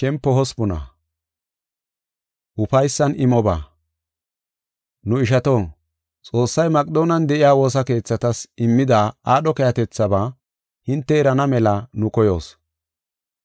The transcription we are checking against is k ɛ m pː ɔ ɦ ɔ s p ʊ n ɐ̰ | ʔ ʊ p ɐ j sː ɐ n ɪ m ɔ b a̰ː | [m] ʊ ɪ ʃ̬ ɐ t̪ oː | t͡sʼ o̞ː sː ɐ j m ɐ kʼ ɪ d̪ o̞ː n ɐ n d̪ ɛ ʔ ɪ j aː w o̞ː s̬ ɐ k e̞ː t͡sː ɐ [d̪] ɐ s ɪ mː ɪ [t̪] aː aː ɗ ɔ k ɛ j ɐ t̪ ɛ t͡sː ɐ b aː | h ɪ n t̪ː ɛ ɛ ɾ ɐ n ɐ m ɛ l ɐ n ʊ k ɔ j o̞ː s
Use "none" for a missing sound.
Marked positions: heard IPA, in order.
n, t̪, d̪

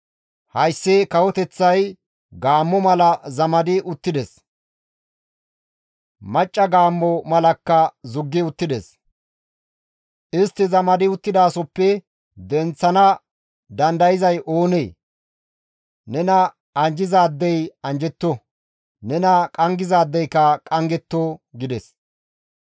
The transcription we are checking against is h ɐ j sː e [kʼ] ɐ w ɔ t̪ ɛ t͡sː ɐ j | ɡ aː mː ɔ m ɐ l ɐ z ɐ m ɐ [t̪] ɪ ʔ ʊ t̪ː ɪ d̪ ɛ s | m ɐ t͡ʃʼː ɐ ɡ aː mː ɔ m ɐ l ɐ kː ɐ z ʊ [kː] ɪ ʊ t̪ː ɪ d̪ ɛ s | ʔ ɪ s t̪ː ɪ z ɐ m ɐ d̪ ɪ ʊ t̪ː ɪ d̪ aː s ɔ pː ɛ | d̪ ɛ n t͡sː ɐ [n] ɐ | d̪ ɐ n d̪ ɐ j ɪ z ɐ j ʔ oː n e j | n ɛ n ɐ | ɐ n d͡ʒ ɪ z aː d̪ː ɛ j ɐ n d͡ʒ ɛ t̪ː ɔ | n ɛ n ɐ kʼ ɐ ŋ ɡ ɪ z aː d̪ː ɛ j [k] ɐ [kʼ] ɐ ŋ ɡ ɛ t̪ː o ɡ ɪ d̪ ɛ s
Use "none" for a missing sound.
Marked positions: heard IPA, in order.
k, d̪, ɡː, n, k, kʼ

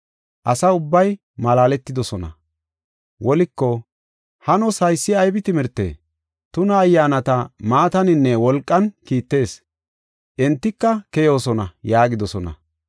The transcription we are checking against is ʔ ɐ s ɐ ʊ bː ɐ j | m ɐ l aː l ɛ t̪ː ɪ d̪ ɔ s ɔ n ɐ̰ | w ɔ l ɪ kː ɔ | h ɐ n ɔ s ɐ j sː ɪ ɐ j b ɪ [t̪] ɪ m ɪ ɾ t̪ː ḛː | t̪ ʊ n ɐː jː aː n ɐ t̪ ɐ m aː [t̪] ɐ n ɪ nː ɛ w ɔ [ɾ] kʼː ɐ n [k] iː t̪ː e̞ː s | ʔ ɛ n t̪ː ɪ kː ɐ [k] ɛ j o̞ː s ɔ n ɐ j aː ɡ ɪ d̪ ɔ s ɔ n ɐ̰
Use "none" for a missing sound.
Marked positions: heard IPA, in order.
t̪, t̪, l, k, k

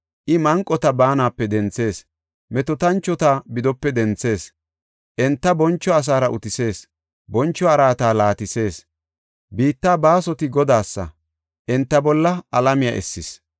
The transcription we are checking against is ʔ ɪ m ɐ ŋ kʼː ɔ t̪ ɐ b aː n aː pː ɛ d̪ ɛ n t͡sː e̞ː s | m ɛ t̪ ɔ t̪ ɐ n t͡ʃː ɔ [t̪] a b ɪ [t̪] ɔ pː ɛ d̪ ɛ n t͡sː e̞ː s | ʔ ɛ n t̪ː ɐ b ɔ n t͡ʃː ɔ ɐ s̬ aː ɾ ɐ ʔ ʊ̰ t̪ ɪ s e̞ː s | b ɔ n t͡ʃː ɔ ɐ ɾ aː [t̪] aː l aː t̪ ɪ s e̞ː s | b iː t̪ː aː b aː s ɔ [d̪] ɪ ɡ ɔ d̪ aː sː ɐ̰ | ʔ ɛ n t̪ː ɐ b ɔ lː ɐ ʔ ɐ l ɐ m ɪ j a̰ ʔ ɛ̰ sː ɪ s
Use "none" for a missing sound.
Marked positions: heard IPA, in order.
t̪, d̪, t̪, t̪

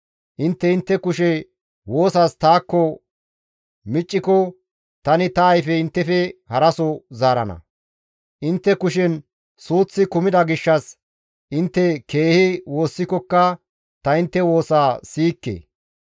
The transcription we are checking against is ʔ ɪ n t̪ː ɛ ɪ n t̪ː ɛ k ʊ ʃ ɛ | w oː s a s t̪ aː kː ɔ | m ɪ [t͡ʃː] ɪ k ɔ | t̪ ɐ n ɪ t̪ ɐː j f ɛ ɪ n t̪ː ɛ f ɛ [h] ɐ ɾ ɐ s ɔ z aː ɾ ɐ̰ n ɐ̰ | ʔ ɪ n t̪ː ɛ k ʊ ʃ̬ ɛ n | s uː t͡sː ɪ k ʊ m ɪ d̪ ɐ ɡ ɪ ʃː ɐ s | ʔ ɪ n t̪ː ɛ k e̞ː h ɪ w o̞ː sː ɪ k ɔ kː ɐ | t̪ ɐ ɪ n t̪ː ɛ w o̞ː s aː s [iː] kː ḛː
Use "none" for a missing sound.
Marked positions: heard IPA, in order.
t͡ʃʼː, h, iː

